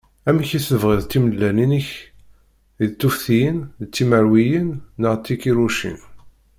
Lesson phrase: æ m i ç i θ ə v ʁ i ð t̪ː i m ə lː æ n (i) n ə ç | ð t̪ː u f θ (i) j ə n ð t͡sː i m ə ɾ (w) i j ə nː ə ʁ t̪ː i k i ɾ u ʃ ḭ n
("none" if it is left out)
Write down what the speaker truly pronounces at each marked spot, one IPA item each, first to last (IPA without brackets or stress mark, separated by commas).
i, i, w